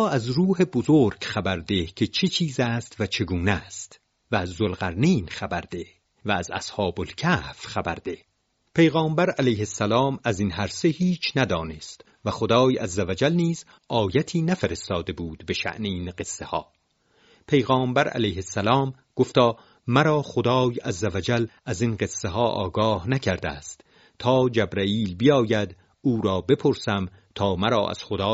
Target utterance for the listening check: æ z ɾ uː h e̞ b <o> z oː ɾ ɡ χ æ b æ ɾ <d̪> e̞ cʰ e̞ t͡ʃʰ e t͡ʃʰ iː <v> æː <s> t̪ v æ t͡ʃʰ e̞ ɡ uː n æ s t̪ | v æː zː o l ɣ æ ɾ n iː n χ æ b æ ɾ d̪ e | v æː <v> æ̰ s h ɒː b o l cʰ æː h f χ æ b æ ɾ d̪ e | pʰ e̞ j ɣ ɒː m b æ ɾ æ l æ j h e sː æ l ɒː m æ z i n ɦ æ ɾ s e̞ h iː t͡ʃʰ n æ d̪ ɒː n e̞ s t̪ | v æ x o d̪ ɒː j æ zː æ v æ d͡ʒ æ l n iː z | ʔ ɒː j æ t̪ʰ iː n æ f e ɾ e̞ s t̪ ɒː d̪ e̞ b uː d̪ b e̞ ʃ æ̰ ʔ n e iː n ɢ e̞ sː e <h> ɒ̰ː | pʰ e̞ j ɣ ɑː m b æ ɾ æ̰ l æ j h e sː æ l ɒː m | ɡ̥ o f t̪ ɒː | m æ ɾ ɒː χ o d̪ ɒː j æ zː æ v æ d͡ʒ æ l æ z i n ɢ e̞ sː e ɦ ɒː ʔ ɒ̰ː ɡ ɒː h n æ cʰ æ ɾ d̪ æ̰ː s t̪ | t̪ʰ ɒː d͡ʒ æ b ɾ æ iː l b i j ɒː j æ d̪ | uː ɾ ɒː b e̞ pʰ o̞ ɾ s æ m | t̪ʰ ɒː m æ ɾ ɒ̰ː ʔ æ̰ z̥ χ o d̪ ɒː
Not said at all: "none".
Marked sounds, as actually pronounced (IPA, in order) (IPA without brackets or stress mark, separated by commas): o, d̪, z, s, z, h